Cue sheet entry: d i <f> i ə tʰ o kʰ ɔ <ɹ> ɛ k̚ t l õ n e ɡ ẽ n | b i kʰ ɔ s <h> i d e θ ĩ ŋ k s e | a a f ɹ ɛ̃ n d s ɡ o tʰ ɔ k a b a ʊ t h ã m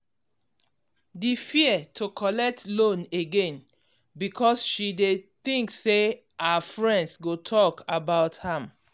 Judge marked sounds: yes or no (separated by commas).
yes, no, no